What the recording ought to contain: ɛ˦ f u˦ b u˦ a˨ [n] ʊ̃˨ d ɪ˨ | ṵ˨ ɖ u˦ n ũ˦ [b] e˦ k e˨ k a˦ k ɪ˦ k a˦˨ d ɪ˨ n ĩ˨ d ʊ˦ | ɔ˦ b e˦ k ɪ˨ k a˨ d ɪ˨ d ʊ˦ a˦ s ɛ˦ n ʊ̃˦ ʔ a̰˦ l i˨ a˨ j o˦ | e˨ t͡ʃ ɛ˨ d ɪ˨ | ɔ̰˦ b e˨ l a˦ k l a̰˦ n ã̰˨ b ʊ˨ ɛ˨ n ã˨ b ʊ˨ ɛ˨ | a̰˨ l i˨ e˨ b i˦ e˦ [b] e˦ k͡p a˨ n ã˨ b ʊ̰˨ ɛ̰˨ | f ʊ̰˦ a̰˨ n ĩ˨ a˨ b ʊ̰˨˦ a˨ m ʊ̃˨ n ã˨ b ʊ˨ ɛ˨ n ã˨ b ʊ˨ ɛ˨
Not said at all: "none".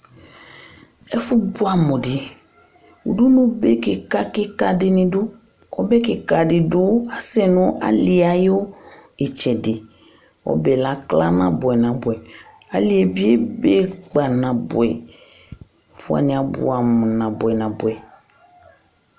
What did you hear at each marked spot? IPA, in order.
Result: m, b, b

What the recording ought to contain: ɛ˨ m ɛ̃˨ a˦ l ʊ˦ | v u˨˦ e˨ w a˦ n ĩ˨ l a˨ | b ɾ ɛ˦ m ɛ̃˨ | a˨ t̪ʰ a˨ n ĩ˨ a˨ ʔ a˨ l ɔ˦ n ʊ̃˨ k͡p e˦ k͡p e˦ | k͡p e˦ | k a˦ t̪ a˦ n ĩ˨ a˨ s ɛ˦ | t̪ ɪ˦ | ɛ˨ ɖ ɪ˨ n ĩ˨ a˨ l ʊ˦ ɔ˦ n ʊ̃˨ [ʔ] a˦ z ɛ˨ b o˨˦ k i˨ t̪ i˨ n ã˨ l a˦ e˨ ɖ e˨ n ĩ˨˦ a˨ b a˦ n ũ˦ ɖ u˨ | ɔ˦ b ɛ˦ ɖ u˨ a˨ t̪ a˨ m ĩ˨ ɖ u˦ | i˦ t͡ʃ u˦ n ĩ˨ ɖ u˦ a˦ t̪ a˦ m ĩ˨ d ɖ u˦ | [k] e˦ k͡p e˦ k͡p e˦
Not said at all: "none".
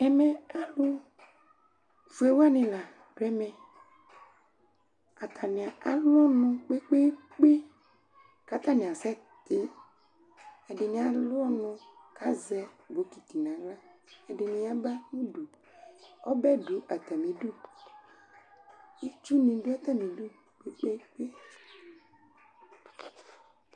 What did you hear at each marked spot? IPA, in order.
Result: k, k͡p

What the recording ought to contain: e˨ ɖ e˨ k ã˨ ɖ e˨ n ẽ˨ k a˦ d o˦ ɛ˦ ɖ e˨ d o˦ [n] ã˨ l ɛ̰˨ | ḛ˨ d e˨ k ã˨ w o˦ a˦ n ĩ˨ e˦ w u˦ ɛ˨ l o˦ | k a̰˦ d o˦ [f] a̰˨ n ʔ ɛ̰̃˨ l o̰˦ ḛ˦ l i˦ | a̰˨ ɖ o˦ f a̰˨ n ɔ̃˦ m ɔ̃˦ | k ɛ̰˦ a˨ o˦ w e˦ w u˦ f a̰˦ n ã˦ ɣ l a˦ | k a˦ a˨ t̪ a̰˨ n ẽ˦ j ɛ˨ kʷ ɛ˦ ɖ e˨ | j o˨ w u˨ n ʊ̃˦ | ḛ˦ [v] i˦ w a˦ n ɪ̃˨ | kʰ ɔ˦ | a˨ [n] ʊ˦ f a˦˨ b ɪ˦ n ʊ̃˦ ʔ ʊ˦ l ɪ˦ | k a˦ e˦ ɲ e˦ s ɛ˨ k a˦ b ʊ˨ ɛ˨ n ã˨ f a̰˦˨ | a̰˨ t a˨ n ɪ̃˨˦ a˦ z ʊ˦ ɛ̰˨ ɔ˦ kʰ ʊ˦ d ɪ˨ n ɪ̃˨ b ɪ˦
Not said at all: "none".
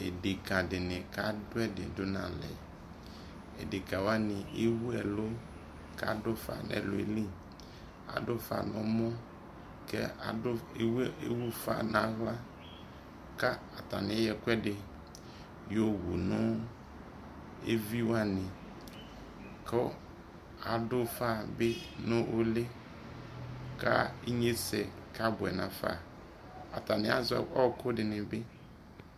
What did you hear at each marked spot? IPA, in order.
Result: n, f, v, d

